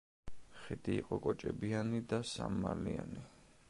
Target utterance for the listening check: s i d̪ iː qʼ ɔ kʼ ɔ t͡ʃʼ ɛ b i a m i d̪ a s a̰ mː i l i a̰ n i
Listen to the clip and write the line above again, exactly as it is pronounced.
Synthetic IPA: χ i d̪ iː qʼ ɔ kʼ ɔ t͡ʃʼ ɛ b i a n i d̪ a s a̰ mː a l i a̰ n i